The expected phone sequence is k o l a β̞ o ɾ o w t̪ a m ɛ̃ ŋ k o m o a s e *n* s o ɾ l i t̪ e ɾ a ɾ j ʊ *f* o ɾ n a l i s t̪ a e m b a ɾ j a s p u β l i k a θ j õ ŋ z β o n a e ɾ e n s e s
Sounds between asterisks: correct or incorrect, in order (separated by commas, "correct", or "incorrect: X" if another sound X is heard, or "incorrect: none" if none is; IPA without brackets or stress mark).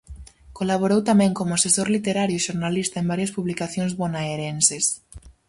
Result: incorrect: none, incorrect: ʃ